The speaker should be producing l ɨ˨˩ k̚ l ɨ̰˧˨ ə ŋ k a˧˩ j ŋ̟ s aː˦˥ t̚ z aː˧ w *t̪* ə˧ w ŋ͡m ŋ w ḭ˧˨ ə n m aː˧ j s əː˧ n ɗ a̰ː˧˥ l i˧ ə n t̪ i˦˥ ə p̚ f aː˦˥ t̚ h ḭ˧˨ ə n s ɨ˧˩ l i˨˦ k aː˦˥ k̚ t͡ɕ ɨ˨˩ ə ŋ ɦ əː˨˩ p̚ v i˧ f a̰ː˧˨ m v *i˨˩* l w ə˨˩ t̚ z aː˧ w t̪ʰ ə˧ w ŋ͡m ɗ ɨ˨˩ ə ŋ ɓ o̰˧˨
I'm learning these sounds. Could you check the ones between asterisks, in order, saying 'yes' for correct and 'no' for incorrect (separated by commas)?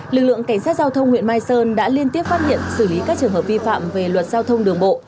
no, no